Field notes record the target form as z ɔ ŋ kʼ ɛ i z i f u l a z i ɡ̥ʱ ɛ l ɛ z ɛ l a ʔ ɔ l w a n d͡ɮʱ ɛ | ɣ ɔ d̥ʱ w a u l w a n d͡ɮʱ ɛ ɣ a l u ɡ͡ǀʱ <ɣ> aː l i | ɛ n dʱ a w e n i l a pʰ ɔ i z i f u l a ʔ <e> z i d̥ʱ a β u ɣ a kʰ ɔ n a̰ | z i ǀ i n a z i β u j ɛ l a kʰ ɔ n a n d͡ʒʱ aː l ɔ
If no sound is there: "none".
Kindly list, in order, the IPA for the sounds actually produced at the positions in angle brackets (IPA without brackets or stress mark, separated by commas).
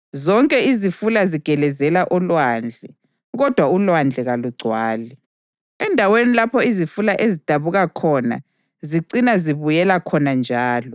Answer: w, e